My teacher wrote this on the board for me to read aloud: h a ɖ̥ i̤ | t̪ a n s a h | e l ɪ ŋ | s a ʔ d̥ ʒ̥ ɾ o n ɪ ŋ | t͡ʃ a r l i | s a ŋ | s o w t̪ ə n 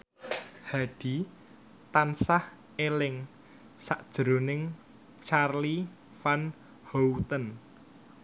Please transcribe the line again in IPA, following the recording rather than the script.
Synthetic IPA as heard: h a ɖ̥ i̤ | t̪ a n s a h | e l ɪ ŋ | s a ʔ d̥ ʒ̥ ɾ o n ɪ ŋ | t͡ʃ a r l i | f a n | h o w t̪ ə n